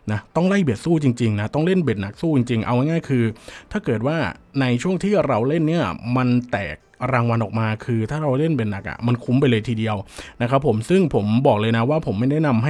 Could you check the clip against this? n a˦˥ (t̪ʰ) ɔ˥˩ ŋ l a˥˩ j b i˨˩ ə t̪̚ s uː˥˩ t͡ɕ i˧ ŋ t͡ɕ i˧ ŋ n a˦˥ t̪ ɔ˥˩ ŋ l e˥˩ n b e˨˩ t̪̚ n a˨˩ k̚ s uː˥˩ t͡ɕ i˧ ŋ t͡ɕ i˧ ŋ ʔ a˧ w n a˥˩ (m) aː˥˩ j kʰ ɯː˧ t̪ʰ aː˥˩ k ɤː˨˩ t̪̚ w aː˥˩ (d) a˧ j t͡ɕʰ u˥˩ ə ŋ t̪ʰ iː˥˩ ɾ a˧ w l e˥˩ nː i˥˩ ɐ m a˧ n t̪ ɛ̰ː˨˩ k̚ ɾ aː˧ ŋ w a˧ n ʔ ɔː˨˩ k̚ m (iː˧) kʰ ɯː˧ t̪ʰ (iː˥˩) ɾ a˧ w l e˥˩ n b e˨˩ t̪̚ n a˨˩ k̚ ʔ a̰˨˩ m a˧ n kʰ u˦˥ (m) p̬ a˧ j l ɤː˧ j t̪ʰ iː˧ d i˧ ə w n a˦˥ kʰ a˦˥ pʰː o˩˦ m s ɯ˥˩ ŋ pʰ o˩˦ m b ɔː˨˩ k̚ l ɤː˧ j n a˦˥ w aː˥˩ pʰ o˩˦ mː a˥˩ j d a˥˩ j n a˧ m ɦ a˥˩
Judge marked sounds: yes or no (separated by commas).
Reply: no, no, no, no, no, yes